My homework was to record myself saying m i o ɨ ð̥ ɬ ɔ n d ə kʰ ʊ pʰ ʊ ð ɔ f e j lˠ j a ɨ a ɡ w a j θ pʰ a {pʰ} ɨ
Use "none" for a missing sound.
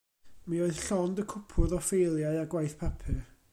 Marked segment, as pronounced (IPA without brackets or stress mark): pʰ